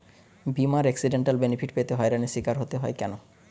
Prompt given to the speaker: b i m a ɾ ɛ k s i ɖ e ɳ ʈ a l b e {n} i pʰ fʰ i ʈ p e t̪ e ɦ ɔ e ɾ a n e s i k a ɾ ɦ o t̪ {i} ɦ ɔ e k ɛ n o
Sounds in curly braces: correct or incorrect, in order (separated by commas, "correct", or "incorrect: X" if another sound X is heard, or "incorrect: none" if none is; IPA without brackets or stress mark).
correct, incorrect: e